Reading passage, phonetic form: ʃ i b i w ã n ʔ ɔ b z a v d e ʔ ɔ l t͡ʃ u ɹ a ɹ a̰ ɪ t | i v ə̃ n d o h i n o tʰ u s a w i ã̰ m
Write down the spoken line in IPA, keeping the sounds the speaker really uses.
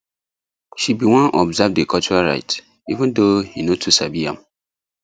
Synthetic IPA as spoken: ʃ i b i w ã n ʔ ɔ b z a v d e k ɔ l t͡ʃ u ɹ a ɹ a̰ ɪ t | i v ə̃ n d o h i n o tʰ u s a b i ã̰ m